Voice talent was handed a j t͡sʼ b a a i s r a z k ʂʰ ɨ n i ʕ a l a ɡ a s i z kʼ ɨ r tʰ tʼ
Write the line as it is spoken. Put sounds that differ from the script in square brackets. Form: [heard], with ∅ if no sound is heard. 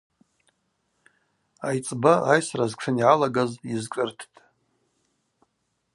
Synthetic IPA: a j t͡sʼ b a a [j] s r a z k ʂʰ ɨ n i ʕ a l a ɡ a [z] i z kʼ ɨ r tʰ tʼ